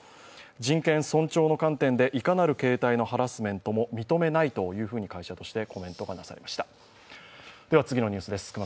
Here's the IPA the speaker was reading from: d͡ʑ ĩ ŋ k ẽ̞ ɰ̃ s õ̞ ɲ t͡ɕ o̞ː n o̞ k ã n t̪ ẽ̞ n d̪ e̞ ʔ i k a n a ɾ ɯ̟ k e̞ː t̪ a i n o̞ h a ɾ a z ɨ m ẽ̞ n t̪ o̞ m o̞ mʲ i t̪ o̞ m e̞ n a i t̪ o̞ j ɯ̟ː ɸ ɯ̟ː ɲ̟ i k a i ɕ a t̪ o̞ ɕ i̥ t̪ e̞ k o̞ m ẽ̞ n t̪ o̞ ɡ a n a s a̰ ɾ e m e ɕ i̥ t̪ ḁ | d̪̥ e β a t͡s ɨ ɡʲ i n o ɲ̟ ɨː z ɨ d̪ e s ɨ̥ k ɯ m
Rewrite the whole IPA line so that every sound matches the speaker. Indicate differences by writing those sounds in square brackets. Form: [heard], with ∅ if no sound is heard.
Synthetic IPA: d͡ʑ ĩ ŋ k ẽ̞ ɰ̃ s õ̞ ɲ t͡ɕ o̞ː n o̞ k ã n t̪ ẽ̞ n d̪ e̞ ʔ i k a n a ɾ ɯ̟ k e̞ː t̪ a i n o̞ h a ɾ a [s] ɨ m ẽ̞ n t̪ o̞ m o̞ mʲ i t̪ o̞ m e̞ n a i t̪ o̞ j ɯ̟ː ɸ ɯ̟ː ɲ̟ i k a i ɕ a t̪ o̞ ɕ i̥ t̪ e̞ k o̞ m ẽ̞ n t̪ o̞ ɡ a n a s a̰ ɾ e m [a] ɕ i̥ t̪ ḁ | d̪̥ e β a t͡s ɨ ɡʲ i n o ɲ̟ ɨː [s] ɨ d̪ e s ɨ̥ k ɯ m